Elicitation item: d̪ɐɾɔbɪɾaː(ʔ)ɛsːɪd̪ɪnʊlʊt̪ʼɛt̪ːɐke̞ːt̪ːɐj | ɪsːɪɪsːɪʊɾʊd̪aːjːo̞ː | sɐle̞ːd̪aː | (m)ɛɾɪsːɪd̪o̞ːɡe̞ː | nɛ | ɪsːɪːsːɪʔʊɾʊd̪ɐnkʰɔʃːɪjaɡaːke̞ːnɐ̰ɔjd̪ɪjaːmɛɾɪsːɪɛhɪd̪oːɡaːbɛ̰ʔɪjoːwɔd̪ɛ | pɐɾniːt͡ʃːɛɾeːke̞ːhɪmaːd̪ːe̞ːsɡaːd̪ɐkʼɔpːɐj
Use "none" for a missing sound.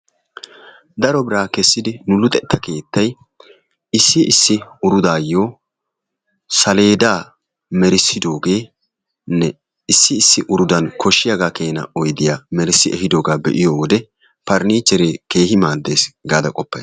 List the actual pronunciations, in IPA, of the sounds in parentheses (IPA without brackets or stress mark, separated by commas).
k, m